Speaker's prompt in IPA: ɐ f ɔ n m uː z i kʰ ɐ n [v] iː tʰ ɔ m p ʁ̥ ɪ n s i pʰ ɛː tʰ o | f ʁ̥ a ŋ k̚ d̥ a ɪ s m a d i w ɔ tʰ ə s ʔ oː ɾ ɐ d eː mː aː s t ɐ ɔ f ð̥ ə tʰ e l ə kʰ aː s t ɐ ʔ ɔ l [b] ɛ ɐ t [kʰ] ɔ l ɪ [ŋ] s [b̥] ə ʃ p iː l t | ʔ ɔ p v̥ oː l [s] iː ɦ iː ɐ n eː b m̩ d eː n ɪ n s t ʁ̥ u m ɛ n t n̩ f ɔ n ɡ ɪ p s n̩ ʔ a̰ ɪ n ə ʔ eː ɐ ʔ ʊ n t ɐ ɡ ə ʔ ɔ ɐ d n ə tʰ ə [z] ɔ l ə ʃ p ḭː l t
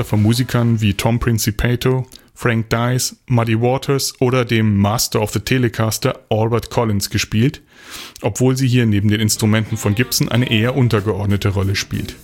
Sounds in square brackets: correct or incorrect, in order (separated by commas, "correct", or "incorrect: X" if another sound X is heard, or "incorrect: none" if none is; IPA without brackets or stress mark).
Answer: correct, correct, correct, incorrect: n, incorrect: ɡ̥, incorrect: z, incorrect: ʁ